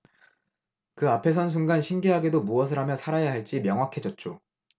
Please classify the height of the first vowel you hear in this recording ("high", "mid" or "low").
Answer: high